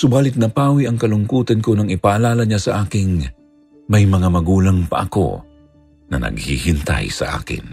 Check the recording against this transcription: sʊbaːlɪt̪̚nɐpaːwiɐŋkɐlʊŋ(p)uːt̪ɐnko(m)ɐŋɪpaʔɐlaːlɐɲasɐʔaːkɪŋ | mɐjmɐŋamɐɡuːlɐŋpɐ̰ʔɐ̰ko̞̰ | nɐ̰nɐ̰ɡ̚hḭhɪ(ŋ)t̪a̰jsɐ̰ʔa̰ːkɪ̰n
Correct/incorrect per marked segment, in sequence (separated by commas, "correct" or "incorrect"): incorrect, incorrect, incorrect